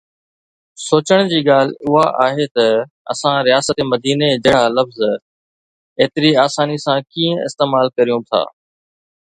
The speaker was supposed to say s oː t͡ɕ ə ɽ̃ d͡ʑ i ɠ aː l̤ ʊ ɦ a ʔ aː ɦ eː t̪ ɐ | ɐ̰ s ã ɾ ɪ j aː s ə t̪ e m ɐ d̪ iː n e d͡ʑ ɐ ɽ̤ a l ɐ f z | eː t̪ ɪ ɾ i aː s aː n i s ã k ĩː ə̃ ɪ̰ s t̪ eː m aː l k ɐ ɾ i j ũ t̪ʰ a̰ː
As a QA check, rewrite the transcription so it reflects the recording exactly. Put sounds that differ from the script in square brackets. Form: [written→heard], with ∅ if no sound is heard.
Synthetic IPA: s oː t͡ɕ ə ɽ̃ d͡ʑ [i→iː] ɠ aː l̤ ʊ ɦ a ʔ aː ɦ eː t̪ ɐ | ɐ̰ s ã ɾ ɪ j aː s ə t̪ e m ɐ d̪ iː n e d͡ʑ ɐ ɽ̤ a l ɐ f z | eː t̪ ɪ ɾ i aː s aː n i s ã k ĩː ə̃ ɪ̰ s t̪ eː m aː l k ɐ ɾ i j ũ t̪ʰ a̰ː